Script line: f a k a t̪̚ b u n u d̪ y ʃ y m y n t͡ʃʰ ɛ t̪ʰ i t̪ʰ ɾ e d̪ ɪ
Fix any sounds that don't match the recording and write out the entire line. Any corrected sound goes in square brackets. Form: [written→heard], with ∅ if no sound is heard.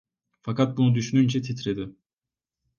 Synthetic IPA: f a k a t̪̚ b u n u d̪ y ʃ y [m→n] y n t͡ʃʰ ɛ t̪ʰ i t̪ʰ ɾ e d̪ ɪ